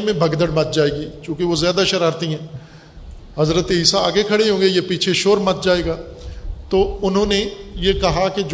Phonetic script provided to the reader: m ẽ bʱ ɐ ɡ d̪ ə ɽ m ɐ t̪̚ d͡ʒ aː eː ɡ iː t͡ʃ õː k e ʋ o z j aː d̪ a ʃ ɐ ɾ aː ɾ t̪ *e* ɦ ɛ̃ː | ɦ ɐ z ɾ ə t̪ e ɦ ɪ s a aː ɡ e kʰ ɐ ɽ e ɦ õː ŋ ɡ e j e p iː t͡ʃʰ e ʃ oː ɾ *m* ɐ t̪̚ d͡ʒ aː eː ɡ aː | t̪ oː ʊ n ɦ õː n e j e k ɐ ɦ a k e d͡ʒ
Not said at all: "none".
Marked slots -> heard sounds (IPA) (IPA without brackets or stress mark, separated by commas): i, m